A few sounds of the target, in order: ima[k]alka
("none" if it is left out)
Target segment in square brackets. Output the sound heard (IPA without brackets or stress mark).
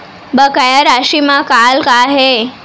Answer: k